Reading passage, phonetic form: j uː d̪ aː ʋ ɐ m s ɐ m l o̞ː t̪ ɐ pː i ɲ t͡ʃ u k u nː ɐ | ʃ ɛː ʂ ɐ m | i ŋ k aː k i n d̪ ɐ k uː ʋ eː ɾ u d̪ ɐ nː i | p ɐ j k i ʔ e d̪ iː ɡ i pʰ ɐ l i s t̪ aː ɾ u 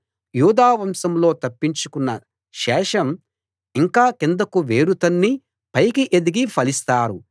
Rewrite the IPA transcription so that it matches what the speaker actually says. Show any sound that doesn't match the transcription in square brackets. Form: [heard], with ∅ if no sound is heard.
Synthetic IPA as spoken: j uː d̪ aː ʋ ɐ m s ɐ m l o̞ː t̪ ɐ pː i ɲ t͡ʃ u k u nː ɐ | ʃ ɛː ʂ ɐ m | i ŋ k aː k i n d̪ ɐ k [u] ʋ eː ɾ u [t̪] ɐ nː i | p ɐ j k i ʔ e d̪ [i] ɡ i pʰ ɐ l i s t̪ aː ɾ u